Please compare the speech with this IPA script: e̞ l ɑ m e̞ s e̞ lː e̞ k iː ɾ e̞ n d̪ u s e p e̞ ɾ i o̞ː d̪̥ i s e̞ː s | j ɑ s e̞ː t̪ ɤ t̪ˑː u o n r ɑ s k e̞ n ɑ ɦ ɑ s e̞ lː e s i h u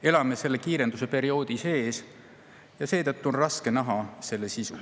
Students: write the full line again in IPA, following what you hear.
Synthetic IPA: e̞ l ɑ m e̞ s e̞ lː e̞ k iː ɾ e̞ n d̪ u s e p e̞ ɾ i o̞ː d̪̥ i s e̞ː s | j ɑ s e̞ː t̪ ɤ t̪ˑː u o n r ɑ s k e̞ n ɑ ɦ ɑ s e̞ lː e s i s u